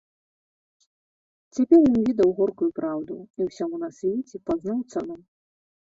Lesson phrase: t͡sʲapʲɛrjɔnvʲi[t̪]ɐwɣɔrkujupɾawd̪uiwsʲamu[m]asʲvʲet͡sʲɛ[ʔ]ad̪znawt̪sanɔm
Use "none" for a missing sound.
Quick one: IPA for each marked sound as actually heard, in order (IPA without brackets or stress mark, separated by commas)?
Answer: d̪, n, p